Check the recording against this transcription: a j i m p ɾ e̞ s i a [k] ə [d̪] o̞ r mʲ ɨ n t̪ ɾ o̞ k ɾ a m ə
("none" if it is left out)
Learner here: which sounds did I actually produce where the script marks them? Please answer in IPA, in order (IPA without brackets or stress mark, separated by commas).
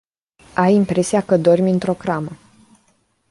k, d̪